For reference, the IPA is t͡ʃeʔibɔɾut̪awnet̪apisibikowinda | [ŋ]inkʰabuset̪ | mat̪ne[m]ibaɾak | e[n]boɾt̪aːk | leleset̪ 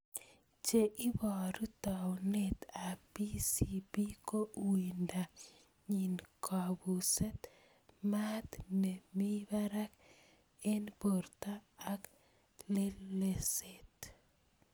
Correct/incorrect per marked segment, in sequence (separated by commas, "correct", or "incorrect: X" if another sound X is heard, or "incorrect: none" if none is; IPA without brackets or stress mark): incorrect: ɲ, correct, correct